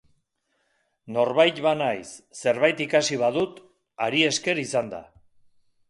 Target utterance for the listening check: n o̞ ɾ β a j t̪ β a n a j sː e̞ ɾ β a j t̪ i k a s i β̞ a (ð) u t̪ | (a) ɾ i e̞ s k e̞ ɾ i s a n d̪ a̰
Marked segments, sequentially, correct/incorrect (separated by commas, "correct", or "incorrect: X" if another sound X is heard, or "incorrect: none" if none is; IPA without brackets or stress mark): correct, correct